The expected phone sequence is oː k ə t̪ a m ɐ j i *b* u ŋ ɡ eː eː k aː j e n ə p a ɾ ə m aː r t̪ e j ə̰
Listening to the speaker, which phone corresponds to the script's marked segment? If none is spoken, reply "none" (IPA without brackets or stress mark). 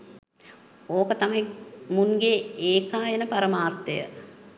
m